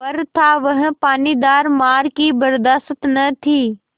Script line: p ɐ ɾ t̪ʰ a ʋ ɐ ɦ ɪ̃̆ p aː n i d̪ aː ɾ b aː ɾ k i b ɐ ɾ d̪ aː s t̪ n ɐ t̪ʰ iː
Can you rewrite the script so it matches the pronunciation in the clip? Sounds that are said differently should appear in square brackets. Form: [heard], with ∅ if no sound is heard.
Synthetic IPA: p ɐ ɾ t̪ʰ a ʋ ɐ ɦ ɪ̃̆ p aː n i d̪ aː ɾ [m] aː ɾ k i b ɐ ɾ d̪ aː s t̪ n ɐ t̪ʰ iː